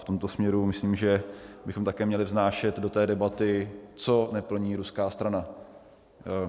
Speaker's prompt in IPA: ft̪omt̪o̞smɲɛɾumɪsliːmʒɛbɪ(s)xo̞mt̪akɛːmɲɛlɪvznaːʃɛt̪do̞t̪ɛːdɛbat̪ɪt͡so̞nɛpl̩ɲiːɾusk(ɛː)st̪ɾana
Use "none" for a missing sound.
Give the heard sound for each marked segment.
none, aː

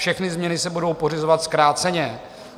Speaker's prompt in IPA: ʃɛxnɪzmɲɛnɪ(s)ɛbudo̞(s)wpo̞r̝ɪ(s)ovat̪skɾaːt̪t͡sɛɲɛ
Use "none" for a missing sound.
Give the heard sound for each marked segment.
s, none, z

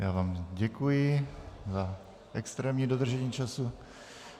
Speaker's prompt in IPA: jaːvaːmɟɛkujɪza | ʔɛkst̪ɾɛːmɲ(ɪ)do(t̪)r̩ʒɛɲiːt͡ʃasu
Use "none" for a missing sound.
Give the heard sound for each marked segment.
i, d̪

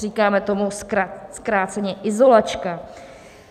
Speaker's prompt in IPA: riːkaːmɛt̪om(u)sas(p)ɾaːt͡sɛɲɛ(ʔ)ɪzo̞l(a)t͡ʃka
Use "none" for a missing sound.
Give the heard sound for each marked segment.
u, k, ʔ, a

